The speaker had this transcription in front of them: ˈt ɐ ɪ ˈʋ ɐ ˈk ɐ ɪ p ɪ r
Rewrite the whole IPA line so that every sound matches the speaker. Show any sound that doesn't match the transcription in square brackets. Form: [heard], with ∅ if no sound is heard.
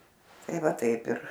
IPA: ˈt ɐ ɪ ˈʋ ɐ [ˈt] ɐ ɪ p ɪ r